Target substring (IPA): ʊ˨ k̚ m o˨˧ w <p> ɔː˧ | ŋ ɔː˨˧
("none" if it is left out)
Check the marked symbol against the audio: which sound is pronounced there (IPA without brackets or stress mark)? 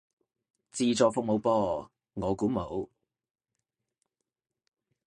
p